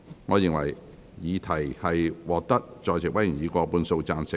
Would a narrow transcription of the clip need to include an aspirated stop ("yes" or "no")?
yes